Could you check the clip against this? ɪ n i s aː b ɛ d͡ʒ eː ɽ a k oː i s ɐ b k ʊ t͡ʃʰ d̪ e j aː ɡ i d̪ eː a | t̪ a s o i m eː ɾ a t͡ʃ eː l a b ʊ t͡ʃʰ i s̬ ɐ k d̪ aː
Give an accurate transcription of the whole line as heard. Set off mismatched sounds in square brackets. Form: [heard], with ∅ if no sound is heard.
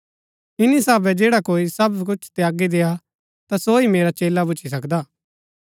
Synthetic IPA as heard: ɪ n i s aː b ɛ d͡ʒ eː ɽ a k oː i s ɐ b k ʊ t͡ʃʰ [t̪] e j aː ɡ i d̪ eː a | t̪ a s o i m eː ɾ a t͡ʃ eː l a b ʊ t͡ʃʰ i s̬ ɐ k d̪ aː